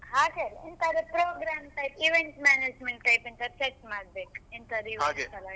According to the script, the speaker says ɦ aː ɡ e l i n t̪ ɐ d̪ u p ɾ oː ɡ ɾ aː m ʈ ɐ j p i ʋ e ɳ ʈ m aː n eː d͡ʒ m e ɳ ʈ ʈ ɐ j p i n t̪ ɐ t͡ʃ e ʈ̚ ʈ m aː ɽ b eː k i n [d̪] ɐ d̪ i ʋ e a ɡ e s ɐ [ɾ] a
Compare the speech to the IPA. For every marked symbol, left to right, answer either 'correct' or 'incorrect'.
incorrect, incorrect

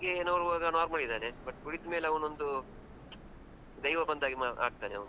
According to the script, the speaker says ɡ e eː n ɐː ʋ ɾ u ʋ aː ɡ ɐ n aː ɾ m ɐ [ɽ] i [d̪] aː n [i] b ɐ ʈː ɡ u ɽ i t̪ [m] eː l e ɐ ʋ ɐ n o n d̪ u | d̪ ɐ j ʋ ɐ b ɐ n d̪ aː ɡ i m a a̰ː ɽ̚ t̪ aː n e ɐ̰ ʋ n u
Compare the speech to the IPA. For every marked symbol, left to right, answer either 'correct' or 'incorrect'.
incorrect, correct, incorrect, correct

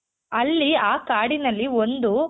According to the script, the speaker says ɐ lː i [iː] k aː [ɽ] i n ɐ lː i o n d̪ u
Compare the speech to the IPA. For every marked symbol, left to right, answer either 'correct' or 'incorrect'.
incorrect, correct

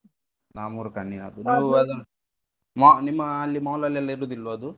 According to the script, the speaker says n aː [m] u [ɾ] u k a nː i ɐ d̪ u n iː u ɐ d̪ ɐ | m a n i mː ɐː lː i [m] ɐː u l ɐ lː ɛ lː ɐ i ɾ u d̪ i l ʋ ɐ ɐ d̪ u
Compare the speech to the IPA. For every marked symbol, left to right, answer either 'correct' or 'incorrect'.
correct, correct, correct

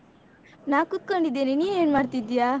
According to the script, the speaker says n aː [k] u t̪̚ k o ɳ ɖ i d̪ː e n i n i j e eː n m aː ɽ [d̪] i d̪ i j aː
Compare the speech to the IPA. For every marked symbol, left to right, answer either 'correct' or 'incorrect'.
correct, incorrect

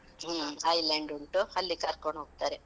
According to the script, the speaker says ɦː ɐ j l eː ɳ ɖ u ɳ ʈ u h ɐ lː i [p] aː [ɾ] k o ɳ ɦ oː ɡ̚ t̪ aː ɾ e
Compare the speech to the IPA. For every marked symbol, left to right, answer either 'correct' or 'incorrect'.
incorrect, correct

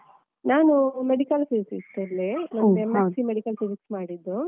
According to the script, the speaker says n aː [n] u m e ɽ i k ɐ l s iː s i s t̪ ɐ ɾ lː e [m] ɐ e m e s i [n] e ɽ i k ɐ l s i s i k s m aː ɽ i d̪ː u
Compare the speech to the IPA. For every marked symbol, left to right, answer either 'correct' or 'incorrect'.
correct, incorrect, incorrect

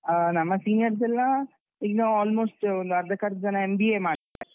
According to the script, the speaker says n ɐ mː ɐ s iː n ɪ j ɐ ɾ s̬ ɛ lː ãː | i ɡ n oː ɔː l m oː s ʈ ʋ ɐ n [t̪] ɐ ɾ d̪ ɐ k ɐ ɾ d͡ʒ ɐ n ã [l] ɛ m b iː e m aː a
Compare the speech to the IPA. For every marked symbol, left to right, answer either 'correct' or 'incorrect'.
incorrect, incorrect

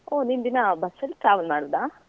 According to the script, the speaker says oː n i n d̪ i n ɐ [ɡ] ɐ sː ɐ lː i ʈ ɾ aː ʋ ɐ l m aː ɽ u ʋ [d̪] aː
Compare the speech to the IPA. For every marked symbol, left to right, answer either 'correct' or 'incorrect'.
incorrect, correct

